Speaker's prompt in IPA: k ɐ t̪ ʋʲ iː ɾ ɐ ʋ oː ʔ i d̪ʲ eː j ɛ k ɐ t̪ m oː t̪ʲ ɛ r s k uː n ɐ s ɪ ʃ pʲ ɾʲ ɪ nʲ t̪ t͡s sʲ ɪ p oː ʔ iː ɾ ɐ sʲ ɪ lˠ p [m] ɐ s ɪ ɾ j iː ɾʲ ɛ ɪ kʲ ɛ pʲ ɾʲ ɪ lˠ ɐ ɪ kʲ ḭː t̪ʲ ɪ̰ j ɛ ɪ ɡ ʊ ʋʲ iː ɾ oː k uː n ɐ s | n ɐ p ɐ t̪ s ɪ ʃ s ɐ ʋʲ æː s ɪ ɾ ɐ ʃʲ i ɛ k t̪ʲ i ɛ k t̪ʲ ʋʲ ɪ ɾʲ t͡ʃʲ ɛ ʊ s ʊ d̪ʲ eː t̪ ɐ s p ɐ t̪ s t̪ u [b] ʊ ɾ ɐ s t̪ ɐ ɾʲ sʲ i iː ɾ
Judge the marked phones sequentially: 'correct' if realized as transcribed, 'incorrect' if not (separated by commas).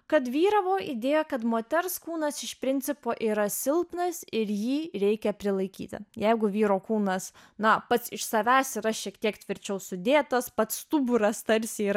incorrect, correct